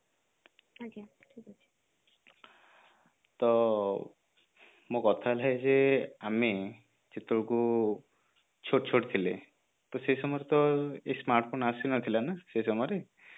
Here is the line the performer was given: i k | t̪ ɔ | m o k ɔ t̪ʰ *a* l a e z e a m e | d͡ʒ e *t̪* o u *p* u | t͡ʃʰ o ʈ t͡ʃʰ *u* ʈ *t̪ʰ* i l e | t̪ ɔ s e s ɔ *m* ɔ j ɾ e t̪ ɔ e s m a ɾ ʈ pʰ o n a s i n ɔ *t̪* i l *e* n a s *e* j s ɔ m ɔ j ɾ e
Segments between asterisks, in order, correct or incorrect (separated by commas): correct, correct, incorrect, incorrect, correct, correct, incorrect, incorrect, correct